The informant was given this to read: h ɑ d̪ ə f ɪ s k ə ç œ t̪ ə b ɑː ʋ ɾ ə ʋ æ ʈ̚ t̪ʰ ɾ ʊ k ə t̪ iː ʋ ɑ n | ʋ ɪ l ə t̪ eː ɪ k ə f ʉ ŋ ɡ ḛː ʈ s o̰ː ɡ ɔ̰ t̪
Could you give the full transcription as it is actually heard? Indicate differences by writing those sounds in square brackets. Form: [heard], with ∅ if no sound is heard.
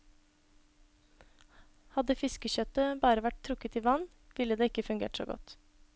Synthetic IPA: h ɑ d̪ ə f ɪ s k ə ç œ t̪ ə b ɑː [∅] ɾ ə ʋ æ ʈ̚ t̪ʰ ɾ ʊ k ə t̪ iː ʋ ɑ n | ʋ ɪ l ə [d̪] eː ɪ k ə f ʉ ŋ ɡ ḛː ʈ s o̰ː ɡ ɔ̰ t̪